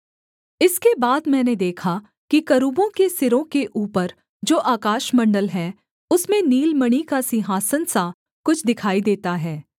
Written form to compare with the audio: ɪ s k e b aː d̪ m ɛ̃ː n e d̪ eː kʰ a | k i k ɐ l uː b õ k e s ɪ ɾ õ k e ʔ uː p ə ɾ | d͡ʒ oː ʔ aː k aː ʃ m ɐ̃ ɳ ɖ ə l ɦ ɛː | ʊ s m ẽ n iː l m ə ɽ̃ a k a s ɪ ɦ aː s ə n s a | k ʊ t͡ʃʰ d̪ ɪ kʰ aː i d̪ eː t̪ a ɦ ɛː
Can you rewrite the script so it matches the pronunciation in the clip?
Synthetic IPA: ɪ s k e b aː d̪ m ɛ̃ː n e d̪ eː kʰ a | k i k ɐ ɾ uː b õ k e s ɪ ɾ õ k e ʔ uː p ə ɾ | d͡ʒ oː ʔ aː k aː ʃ m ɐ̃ ɳ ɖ ə l ɦ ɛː | ʊ s m ẽ n iː l m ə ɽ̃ i k a s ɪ ɦ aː s ə n s a | k ʊ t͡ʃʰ d̪ ɪ kʰ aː i d̪ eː t̪ a ɦ ɛː